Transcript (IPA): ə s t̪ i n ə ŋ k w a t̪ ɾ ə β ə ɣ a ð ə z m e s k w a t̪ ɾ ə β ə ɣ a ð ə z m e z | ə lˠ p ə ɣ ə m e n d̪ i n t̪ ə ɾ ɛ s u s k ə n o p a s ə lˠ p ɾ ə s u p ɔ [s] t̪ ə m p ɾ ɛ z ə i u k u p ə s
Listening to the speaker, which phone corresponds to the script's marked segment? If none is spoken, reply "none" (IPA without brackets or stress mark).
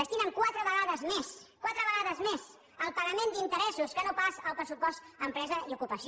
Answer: s